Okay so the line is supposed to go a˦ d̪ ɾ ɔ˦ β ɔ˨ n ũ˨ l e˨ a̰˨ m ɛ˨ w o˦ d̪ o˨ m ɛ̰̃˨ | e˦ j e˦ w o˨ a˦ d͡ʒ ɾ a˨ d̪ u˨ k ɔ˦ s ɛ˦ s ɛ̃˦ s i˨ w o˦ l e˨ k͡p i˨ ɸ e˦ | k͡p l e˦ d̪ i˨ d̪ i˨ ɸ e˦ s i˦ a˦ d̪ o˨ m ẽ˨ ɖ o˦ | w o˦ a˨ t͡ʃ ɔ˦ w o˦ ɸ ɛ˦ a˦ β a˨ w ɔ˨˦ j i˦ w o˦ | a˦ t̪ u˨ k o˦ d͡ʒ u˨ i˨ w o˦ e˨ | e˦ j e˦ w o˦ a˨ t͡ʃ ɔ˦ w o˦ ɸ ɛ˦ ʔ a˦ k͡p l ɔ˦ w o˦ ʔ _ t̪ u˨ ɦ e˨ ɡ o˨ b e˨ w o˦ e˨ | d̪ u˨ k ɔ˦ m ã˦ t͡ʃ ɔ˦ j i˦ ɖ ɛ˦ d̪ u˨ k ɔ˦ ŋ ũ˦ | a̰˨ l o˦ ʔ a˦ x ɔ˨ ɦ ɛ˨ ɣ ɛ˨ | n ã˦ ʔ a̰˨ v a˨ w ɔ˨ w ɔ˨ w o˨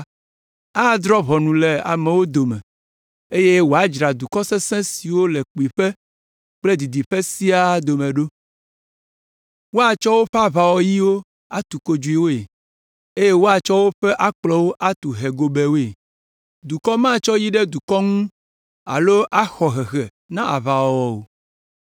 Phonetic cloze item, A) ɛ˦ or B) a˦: B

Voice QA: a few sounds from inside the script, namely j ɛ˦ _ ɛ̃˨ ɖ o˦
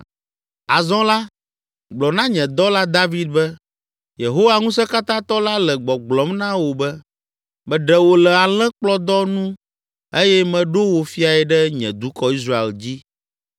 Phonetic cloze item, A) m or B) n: A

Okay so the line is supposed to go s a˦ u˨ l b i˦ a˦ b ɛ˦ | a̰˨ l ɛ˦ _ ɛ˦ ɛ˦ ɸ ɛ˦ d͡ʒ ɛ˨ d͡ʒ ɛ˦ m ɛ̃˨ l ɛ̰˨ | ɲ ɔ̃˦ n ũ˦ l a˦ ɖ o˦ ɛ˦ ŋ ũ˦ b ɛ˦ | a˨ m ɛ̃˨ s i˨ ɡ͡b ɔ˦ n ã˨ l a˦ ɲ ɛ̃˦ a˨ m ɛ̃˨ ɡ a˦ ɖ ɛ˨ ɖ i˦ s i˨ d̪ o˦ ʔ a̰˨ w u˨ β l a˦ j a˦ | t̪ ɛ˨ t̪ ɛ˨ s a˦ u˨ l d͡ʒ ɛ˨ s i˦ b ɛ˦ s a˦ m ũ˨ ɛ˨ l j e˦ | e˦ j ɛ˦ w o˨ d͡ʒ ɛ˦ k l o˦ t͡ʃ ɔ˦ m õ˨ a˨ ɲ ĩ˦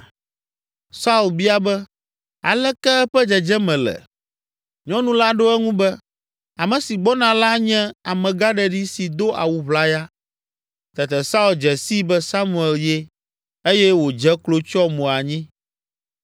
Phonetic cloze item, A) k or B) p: A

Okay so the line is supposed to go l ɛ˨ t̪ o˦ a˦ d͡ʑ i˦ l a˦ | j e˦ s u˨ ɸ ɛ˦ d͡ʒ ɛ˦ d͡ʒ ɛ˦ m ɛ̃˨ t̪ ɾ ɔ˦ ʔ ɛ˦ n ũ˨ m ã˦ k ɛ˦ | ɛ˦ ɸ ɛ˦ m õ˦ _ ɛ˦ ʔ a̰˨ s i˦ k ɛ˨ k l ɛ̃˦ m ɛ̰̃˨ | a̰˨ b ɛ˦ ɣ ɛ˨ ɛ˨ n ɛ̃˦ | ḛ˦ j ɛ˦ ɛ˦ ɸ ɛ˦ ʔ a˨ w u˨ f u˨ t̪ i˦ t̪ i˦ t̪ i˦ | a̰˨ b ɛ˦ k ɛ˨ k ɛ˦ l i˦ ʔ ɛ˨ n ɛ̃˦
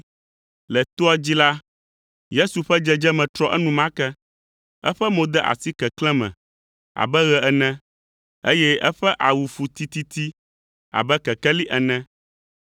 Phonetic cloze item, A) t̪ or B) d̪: B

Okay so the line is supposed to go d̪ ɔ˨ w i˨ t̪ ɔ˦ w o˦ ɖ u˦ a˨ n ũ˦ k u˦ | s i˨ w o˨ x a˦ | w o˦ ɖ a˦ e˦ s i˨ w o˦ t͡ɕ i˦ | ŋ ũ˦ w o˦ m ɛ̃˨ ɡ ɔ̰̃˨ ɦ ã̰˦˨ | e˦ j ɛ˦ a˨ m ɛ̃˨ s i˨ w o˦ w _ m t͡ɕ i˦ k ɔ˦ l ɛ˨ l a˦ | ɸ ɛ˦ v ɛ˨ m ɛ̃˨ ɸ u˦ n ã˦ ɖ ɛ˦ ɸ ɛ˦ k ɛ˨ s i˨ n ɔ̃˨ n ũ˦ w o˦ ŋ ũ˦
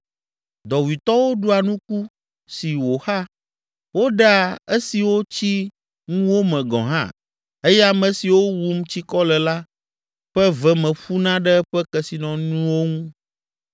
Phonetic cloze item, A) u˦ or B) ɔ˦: A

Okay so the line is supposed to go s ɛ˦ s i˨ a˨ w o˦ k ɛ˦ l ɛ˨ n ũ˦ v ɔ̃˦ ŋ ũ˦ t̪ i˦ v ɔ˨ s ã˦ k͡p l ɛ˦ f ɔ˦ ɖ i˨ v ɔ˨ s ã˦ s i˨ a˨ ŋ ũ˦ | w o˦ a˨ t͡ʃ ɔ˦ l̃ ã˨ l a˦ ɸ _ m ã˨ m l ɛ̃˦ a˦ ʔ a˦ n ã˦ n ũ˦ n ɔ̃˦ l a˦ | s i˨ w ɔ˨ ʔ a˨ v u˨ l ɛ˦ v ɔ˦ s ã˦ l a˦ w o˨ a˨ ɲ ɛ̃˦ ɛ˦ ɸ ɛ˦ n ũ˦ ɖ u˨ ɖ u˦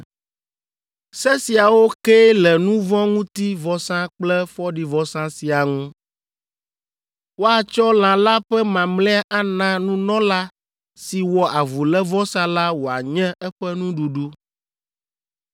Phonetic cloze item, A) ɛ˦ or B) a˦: A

